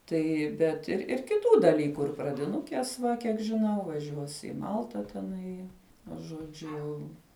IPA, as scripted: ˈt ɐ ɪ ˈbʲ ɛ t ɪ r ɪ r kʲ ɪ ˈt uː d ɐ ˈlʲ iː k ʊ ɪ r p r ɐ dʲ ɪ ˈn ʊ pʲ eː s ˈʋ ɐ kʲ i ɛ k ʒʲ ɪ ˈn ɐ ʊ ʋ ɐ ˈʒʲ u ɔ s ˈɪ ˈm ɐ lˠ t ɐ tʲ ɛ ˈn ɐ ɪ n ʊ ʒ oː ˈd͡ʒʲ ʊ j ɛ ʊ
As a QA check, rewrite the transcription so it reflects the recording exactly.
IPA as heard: ˈt ɐ ɪ ˈbʲ ɛ t ɪ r ɪ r kʲ ɪ ˈt uː d ɐ ˈlʲ iː k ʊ ɪ r p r ɐ dʲ ɪ ˈn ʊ kʲ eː s ˈʋ ɐ kʲ i ɛ k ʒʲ ɪ ˈn ɐ ʊ ʋ ɐ ˈʒʲ u ɔ s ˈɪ ˈm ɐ lˠ t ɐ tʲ ɛ ˈn ɐ ɪ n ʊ ʒ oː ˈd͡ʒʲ ʊ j ɛ ʊ

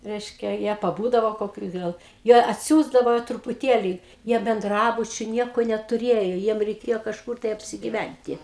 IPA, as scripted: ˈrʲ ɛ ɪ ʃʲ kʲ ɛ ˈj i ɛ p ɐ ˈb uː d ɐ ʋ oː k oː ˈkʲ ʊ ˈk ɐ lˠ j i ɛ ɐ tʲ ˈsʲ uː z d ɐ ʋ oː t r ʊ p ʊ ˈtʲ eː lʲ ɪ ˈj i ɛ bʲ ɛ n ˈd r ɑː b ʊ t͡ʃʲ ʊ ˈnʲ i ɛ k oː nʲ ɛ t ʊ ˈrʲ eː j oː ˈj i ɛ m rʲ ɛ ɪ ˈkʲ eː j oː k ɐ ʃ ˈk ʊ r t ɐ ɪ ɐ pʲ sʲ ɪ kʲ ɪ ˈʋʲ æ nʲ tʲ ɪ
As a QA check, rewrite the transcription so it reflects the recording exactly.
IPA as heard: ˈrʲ ɛ ɪ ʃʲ kʲ ɛ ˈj i ɛ p ɐ ˈb uː d ɐ ʋ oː k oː ˈkʲ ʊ ˈɡ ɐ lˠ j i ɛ ɐ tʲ ˈsʲ uː z d ɐ ʋ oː t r ʊ p ʊ ˈtʲ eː lʲ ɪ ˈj i ɛ bʲ ɛ n ˈd r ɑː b ʊ t͡ʃʲ ʊ ˈnʲ i ɛ k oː nʲ ɛ t ʊ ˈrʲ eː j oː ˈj i ɛ m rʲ ɛ ɪ ˈkʲ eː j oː k ɐ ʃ ˈk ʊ r t ɐ ɪ ɐ pʲ sʲ ɪ ɡʲ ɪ ˈʋʲ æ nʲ tʲ ɪ

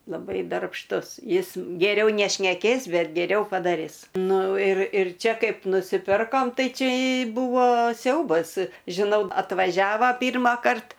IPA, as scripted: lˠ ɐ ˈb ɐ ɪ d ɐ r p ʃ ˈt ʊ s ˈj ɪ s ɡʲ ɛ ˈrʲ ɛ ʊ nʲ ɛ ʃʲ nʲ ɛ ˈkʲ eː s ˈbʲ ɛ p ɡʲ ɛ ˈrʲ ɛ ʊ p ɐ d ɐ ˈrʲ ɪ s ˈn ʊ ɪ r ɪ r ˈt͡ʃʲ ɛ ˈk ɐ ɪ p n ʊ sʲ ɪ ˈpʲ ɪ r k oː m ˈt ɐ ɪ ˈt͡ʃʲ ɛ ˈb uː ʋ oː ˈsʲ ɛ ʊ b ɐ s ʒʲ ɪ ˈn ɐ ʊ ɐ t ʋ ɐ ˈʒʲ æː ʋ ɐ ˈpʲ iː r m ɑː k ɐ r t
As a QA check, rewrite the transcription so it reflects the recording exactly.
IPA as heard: lˠ ɐ ˈb ɐ ɪ d ɐ r p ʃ ˈt ʊ s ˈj ɪ s ɡʲ ɛ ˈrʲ ɛ ʊ nʲ ɛ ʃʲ nʲ ɛ ˈkʲ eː s ˈbʲ ɛ t ɡʲ ɛ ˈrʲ ɛ ʊ p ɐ d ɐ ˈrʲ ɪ s ˈn ʊ ɪ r ɪ r ˈt͡ʃʲ ɛ ˈk ɐ ɪ p n ʊ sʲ ɪ ˈpʲ ɪ r k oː m ˈt ɐ ɪ ˈt͡ʃʲ ɛ ˈb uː ʋ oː ˈsʲ ɛ ʊ b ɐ s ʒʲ ɪ ˈn ɐ ʊ ɐ t ʋ ɐ ˈʒʲ æː ʋ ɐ ˈpʲ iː r m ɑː k ɐ r t

